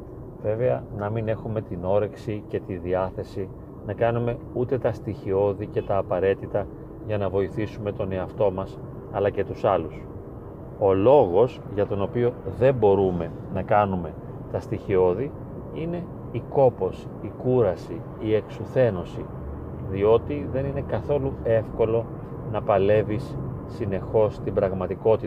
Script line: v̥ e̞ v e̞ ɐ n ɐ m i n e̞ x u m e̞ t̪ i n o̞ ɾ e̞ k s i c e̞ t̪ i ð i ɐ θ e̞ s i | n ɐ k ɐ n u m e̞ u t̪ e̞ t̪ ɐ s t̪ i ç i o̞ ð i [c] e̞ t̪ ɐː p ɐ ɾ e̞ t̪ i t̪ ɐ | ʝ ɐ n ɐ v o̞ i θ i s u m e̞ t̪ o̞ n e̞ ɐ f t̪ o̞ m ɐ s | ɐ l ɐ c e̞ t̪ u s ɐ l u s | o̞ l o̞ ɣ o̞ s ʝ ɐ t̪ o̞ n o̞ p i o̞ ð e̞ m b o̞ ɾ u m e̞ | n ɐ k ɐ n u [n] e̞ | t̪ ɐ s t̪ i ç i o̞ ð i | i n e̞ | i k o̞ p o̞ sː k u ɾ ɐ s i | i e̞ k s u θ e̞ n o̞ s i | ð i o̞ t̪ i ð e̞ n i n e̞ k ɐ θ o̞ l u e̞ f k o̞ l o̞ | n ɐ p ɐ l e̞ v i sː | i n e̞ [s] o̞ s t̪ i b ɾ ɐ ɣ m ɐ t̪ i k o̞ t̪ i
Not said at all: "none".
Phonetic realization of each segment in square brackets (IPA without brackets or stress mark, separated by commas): c, m, x